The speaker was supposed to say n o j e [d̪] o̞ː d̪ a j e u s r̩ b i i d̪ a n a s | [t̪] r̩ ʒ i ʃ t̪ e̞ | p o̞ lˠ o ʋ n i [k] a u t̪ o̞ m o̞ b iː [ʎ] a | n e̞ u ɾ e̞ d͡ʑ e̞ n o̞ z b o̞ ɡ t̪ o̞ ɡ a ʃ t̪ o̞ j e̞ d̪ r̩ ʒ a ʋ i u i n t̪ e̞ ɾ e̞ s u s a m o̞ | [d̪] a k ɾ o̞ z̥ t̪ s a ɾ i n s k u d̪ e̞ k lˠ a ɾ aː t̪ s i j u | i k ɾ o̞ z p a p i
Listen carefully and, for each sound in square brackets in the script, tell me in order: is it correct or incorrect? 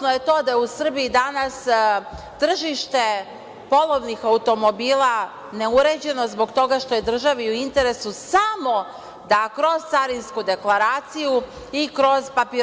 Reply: incorrect: t̪, correct, incorrect: x, incorrect: l, correct

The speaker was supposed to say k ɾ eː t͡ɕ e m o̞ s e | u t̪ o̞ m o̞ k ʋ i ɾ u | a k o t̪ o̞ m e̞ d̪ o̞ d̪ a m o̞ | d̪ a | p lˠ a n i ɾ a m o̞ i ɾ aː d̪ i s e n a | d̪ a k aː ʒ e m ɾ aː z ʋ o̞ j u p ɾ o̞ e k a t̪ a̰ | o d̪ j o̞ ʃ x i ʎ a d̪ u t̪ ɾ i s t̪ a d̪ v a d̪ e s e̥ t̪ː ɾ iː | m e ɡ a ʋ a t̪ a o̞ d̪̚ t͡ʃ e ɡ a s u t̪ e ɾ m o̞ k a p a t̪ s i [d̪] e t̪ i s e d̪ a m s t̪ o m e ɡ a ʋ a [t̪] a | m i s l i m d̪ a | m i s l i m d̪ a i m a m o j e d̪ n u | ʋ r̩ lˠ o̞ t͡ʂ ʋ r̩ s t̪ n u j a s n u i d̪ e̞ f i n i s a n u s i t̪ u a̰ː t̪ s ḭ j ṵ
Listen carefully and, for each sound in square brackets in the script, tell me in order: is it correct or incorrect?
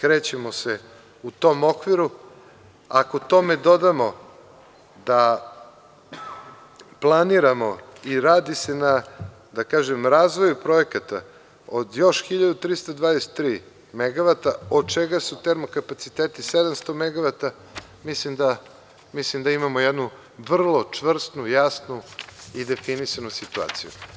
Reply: incorrect: t̪, correct

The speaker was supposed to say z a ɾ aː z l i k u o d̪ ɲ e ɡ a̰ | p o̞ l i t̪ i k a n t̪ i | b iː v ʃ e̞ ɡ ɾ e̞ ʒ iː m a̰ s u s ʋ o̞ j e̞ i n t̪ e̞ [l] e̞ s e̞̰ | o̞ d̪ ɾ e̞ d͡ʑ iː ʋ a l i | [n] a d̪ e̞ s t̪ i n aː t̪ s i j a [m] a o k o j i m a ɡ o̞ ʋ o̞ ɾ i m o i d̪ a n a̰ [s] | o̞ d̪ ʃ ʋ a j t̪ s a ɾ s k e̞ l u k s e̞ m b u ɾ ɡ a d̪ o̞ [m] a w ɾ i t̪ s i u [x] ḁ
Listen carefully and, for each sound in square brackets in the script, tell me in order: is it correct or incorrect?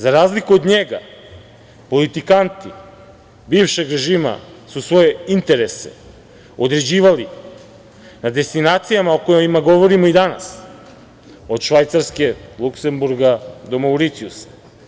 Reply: incorrect: ɾ, correct, correct, correct, correct, incorrect: s

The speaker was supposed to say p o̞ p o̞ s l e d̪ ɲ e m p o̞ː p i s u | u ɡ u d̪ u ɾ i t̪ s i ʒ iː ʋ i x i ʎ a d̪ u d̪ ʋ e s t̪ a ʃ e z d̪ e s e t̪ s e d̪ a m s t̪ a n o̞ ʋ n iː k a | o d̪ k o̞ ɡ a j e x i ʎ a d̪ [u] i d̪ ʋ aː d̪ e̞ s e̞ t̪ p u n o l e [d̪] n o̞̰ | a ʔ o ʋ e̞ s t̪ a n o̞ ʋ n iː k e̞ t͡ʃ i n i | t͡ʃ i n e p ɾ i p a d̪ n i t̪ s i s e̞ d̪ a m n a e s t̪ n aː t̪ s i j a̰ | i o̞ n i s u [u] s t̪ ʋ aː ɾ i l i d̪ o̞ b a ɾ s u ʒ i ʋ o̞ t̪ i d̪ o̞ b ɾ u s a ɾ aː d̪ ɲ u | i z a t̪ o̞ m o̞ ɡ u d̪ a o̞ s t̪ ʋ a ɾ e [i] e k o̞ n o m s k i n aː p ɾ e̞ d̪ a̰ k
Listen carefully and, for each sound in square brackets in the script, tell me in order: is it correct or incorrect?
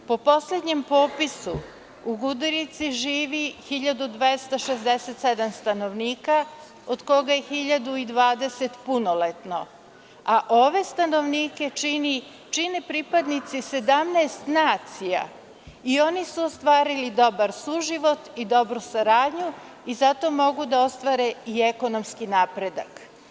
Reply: correct, incorrect: t̪, incorrect: o, correct

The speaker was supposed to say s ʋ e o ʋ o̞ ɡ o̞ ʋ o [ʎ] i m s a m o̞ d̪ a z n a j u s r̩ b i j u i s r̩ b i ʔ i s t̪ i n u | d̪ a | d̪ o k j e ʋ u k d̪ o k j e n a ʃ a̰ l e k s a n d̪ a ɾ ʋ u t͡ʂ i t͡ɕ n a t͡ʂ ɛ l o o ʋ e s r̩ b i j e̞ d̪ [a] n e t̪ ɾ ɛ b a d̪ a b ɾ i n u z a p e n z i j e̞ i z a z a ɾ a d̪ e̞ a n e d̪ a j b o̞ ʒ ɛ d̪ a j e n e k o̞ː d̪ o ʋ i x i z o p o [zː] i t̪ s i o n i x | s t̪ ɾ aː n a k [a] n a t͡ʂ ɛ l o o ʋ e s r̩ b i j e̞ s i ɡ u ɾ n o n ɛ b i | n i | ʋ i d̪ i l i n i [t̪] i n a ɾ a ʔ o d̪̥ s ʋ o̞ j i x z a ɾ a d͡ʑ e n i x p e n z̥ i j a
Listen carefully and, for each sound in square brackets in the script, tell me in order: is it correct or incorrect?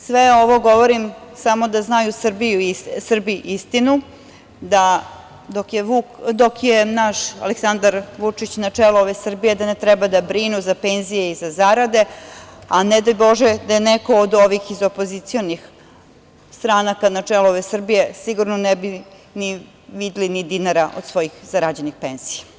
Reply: incorrect: ɾ, correct, incorrect: z, correct, incorrect: d̪

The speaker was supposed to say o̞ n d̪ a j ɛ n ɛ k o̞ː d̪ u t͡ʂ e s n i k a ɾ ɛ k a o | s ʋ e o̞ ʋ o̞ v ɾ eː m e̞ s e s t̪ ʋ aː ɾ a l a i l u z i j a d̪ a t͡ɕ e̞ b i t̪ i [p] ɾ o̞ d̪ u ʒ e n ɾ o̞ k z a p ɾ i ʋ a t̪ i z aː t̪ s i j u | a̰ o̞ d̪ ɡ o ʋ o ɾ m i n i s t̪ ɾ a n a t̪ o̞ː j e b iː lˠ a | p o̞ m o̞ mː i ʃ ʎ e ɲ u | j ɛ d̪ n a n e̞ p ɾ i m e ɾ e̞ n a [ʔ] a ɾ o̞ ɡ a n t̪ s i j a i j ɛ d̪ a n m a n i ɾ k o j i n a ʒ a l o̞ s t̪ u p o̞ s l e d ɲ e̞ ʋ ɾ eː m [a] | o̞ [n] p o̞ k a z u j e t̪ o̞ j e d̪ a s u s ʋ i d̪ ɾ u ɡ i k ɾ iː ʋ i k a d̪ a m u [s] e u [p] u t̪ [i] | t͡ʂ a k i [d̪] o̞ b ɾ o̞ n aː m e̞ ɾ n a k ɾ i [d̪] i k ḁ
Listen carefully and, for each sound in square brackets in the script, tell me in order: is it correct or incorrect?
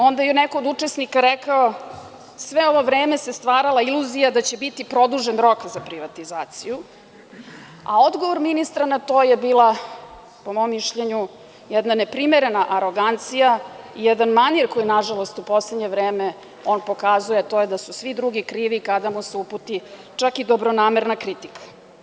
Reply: correct, correct, incorrect: e, correct, correct, correct, correct, correct, incorrect: t̪

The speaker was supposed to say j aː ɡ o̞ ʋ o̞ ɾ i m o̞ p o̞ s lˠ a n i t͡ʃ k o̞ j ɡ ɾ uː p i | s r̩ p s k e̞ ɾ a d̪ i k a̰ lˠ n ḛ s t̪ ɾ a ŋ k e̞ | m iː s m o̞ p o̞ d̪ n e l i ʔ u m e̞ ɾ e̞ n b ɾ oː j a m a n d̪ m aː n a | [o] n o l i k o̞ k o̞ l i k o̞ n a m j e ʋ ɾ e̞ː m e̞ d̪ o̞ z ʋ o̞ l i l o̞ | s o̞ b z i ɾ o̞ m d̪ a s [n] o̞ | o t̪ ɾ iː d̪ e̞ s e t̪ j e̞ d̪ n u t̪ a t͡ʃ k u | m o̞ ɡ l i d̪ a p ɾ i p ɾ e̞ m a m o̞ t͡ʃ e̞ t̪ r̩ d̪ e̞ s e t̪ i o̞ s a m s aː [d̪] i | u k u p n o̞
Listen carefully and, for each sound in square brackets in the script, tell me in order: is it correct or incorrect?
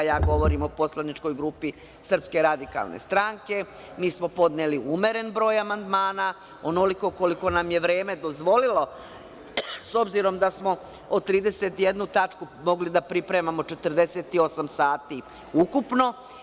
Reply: correct, incorrect: m, incorrect: t̪

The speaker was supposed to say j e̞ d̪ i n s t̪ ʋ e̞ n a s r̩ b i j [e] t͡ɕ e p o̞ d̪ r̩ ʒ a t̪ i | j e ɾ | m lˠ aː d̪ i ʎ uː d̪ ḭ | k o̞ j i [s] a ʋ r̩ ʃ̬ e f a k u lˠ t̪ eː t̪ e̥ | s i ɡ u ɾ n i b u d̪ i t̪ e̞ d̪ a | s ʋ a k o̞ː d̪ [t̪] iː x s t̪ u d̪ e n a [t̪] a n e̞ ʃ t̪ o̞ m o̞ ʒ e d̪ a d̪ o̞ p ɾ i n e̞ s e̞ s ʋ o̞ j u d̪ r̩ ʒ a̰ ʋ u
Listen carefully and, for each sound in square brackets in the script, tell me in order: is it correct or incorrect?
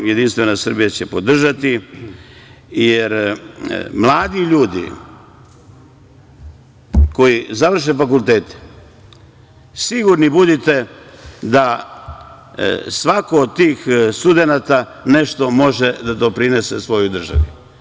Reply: incorrect: a, incorrect: z, correct, correct

